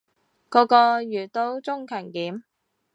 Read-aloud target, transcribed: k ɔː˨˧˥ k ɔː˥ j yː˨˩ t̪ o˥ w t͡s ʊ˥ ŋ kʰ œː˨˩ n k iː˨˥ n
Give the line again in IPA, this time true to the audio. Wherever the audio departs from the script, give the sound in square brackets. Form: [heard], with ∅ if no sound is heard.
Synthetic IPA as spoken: k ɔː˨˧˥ k [ɔː˧] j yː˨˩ t̪ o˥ w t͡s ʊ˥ ŋ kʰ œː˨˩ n k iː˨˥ [m]